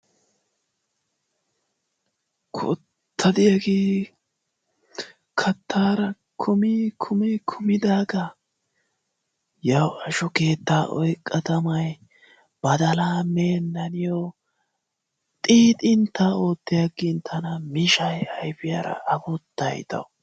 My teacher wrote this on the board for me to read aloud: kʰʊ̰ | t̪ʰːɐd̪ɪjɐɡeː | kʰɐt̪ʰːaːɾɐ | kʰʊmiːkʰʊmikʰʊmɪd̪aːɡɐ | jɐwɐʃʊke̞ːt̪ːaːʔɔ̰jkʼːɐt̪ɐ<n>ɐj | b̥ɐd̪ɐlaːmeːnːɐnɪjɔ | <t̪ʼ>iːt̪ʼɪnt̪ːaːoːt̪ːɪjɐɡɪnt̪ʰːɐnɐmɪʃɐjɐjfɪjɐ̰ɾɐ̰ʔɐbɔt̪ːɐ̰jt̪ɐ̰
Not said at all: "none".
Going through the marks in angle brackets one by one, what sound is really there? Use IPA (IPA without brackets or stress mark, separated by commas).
m, t̪ʼ